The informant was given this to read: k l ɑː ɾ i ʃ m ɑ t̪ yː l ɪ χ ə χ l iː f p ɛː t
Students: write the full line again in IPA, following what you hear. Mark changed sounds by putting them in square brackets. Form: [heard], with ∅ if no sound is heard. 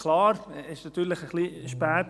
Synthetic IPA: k l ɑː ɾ [ɪ] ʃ [n] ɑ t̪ yː l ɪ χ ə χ l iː [ʃ] p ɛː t